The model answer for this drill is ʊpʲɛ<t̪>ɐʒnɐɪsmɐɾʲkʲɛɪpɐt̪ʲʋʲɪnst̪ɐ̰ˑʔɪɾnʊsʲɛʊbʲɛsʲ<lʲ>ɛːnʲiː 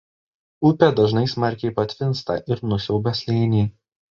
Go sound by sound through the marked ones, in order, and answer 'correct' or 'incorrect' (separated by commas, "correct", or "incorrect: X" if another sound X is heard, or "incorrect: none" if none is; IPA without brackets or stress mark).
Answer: incorrect: d̪, correct